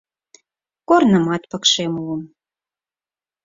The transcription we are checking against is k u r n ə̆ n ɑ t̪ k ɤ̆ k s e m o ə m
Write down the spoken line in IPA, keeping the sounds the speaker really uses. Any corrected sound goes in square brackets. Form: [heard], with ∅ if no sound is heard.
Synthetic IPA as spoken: k [o] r n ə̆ [m] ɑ t̪ [p] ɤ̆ k [ʃ] e m [u] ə m